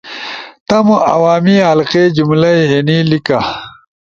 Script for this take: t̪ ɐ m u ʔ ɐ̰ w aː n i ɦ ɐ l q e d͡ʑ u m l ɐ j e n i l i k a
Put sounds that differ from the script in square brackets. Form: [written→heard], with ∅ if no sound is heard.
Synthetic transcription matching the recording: t̪ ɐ m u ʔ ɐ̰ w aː [n→m] i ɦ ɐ l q e d͡ʑ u m l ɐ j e n i l i k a